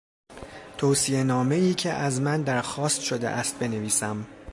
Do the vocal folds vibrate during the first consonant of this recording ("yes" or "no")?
no